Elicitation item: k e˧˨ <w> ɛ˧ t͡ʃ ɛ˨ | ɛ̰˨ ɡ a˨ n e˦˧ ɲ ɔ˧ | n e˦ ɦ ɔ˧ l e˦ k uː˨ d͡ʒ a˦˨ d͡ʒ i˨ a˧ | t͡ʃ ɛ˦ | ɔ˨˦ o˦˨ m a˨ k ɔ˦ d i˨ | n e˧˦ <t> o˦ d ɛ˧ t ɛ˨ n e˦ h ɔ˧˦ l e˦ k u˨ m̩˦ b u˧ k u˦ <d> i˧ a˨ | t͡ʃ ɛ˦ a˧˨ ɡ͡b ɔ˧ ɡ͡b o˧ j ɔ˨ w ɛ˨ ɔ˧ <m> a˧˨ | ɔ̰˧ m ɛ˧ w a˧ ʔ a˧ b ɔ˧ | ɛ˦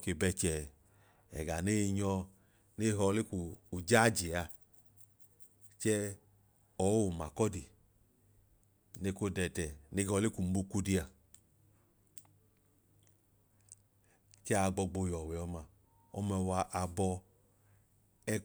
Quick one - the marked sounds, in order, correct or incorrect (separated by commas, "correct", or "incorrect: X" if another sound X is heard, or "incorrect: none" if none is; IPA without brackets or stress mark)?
incorrect: b, incorrect: k, correct, correct